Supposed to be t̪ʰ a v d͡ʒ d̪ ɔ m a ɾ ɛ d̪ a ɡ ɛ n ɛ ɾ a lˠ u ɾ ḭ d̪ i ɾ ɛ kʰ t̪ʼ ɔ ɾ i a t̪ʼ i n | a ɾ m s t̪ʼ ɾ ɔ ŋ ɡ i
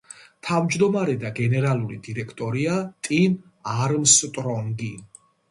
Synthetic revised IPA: t̪ʰ a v d͡ʒ d̪ ɔ m a ɾ ɛ d̪ a ɡ ɛ n ɛ ɾ a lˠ u ɾ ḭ d̪ i ɾ ɛ kʰ t̪ʼ ɔ ɾ i a t̪ʼ i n | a ɾ m s t̪ʼ ɾ ɔ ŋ ɡ i